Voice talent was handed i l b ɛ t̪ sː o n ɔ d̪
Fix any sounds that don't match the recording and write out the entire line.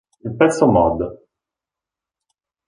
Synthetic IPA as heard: i l p ɛ t̪ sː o m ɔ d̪